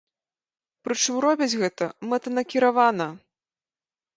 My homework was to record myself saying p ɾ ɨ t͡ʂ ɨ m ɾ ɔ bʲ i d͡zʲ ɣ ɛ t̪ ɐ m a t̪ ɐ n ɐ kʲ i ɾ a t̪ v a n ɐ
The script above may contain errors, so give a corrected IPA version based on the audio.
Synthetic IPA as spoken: p ɾ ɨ t͡ʂ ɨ m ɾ ɔ bʲ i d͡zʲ ɣ ɛ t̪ ɐ m ɛ t̪ ɐ n ɐ kʲ i ɾ a v a n ɐ